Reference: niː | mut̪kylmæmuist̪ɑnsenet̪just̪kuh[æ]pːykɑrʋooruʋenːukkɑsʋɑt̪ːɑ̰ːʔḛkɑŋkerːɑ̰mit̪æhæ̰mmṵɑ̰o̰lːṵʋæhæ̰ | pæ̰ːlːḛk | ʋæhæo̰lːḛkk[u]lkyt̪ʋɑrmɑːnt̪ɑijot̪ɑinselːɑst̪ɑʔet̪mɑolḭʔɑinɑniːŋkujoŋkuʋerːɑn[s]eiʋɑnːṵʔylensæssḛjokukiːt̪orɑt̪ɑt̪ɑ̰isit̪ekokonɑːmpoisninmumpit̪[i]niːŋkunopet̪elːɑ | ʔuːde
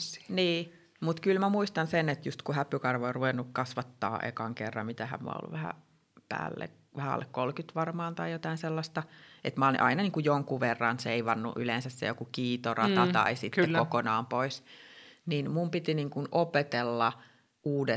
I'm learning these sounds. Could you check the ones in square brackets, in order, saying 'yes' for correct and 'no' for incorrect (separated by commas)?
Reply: yes, no, yes, yes